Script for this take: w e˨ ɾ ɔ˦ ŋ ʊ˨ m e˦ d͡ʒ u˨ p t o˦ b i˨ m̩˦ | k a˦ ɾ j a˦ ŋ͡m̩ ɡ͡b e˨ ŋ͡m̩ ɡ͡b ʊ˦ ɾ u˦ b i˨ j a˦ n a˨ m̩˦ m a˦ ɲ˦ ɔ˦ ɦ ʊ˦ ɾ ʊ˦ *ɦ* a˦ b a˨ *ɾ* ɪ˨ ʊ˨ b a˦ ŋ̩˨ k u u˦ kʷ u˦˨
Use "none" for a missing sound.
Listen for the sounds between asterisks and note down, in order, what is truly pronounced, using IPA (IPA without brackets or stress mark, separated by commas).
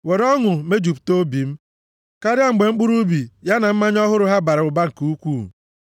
ɦ, ɾ